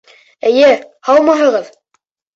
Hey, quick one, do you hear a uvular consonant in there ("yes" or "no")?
yes